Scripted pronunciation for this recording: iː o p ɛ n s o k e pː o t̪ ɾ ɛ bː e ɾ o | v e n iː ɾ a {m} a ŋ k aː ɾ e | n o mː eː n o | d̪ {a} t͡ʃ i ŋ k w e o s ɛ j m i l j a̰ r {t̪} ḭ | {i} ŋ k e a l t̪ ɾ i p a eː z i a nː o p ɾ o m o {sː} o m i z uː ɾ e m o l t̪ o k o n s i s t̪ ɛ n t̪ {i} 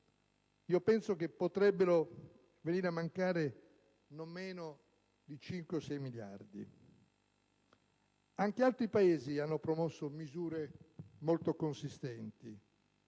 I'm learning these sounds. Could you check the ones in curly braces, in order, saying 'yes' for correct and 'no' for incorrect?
yes, no, no, no, yes, yes

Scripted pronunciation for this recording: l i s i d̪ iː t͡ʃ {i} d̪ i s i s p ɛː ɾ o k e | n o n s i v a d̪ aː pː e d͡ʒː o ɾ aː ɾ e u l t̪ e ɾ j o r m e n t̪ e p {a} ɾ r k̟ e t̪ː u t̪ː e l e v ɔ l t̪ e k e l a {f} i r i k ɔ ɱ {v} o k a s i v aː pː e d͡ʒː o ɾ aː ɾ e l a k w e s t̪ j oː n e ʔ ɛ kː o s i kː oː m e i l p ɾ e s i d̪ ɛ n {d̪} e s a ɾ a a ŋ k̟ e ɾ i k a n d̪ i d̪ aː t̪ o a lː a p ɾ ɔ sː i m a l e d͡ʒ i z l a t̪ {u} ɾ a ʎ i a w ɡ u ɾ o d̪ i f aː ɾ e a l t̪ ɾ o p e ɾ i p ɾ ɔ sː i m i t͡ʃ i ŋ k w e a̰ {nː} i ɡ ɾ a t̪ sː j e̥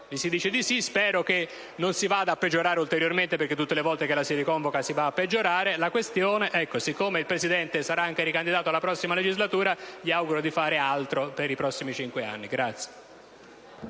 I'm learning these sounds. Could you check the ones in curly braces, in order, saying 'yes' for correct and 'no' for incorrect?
no, no, no, yes, no, no, yes

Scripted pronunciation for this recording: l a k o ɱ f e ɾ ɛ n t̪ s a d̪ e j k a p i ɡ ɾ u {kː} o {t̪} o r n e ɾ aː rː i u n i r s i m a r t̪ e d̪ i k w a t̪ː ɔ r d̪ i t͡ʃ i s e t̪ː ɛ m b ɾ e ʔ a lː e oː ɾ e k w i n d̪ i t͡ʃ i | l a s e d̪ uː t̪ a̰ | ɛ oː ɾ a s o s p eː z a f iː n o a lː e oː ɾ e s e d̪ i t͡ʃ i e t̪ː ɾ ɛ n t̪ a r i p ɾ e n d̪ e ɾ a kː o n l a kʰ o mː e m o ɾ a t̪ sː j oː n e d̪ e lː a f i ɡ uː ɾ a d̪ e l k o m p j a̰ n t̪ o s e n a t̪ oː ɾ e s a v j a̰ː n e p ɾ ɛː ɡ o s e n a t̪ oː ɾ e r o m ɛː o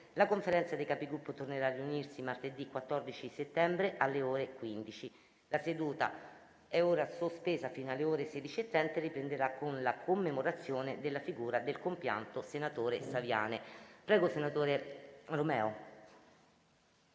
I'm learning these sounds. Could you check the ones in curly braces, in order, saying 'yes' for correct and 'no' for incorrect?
no, yes

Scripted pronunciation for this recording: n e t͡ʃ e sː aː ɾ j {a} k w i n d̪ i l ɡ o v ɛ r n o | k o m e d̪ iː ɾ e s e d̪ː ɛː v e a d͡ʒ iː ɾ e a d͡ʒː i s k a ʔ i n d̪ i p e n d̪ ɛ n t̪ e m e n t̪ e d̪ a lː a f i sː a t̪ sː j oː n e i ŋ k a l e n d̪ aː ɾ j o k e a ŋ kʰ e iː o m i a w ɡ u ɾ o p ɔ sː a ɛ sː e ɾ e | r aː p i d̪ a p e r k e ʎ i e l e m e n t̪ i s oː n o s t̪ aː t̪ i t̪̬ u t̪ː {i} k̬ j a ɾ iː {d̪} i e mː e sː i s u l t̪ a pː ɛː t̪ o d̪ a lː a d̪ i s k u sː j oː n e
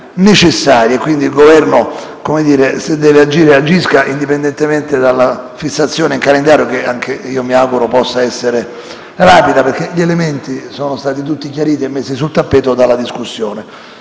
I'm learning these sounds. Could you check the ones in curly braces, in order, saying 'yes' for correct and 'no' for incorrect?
no, yes, no

